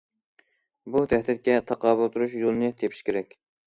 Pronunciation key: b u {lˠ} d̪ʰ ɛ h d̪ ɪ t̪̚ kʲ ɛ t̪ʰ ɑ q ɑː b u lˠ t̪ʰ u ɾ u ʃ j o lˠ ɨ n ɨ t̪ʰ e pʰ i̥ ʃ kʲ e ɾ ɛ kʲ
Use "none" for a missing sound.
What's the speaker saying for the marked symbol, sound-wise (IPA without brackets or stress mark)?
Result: none